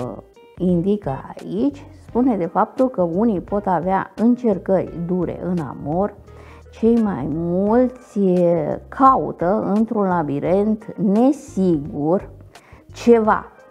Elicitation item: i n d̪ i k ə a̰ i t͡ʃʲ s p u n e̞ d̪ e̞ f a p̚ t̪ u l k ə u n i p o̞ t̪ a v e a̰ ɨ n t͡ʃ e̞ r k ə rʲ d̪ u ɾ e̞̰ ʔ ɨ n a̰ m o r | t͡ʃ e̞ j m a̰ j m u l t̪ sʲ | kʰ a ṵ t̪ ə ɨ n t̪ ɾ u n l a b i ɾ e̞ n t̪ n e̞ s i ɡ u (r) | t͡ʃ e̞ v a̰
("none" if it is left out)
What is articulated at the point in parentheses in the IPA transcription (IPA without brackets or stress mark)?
r